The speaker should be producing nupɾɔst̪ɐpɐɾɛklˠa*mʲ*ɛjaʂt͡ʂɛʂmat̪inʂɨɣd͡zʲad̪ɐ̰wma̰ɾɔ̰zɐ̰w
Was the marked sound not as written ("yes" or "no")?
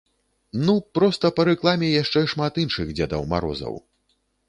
no